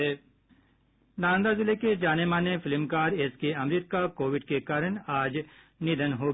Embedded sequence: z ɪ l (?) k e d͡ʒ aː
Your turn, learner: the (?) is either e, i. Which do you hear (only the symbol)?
e